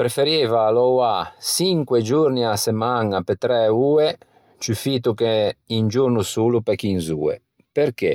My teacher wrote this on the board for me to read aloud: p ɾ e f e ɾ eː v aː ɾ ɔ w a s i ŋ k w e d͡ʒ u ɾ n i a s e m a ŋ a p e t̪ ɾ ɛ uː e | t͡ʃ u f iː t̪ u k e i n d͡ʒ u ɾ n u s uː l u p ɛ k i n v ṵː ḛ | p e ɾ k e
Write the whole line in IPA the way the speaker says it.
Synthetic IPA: p ɾ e f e ɾ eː v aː l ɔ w a s i ŋ k w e d͡ʒ u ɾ n i a s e m a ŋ a p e t̪ ɾ ɛ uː e | t͡ʃ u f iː t̪ u k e i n d͡ʒ u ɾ n u s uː l u p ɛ k i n z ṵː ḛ | p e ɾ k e